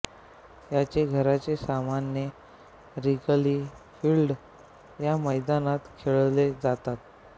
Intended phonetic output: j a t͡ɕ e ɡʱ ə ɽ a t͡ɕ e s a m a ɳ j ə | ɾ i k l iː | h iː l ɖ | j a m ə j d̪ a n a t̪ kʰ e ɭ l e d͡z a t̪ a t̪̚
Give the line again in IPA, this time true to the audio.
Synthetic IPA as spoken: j a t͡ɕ e ɡʱ ə ɾ a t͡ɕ e s a m a n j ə | ɾ i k l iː | f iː l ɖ | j a m ə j d̪ a n a t̪ kʰ e ɭ l e d͡z a t̪ a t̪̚